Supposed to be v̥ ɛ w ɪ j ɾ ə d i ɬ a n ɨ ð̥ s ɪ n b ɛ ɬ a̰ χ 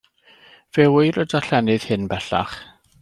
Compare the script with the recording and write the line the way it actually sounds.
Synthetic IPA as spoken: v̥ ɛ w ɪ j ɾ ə d a ɬ ɛ n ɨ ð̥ h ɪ n b ɛ ɬ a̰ χ